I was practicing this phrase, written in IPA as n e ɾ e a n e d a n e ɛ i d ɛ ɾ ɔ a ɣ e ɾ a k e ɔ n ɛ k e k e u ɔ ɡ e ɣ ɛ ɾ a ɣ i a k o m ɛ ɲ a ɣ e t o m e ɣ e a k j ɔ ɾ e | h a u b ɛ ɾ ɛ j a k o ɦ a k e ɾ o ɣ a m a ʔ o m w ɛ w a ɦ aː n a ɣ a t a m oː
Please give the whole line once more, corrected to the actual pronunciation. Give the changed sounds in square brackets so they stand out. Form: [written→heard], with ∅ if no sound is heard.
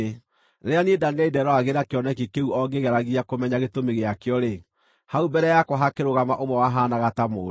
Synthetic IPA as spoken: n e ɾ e a n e d a n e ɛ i d ɛ ɾ ɔ a ɣ e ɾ a k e ɔ n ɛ k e k e u ɔ ɡ e ɣ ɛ ɾ a ɣ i a k o m ɛ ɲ a ɣ e t o m e ɣ e a k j ɔ ɾ e | h a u b ɛ ɾ ɛ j a k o ɦ a k e ɾ o ɣ a m a ʔ o m w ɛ w a ɦ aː n a ɣ a t a m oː